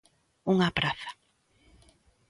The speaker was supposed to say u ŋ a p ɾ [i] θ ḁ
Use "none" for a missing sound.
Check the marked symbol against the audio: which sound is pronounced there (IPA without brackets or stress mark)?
a